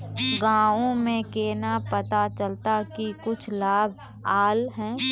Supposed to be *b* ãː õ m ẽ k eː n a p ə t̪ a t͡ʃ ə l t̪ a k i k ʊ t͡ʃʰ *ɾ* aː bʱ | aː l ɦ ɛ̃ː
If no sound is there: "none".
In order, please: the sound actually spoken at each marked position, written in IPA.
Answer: ɡ, l

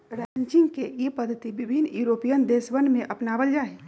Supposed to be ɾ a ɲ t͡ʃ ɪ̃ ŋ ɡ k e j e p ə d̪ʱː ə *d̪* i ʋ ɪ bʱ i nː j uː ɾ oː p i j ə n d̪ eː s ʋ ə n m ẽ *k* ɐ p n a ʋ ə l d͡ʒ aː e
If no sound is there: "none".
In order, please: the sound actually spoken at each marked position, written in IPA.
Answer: t̪, ʔ

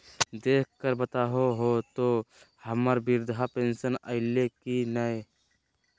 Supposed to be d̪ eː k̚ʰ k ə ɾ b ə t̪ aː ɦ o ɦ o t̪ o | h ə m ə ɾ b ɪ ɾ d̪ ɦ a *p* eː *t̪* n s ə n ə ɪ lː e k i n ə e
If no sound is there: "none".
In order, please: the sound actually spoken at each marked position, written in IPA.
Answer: p, none

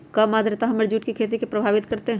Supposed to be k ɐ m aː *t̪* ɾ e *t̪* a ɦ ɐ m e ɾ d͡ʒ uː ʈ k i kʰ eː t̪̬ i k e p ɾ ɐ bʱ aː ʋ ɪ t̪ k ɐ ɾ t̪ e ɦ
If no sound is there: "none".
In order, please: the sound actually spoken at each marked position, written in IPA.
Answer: d̪, t̪

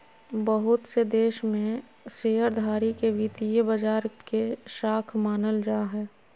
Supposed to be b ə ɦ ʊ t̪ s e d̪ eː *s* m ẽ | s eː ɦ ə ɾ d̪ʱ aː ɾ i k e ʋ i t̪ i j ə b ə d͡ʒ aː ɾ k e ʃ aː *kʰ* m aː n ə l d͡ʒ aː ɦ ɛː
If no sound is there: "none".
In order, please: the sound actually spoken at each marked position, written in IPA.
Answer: ʃ, kʰ

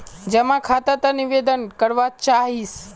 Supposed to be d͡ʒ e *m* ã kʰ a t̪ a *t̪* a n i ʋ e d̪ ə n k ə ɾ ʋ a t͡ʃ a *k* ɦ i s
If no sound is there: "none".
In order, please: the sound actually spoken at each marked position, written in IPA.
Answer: m, t̪, none

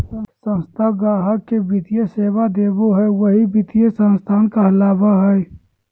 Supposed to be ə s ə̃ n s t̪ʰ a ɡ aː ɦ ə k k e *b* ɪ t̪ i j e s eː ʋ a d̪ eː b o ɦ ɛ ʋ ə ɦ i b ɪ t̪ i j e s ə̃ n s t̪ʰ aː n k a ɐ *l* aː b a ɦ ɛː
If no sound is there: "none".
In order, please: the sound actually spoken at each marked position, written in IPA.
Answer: b, l

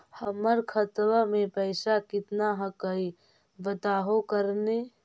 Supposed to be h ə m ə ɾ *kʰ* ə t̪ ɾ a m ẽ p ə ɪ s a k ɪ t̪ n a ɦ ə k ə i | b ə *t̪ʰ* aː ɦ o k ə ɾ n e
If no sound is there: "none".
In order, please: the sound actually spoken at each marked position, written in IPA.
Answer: kʰ, t̪

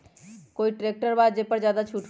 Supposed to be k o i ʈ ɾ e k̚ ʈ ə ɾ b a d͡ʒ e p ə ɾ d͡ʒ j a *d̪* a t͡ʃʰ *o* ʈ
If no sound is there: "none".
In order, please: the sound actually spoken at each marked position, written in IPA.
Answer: d̪, u

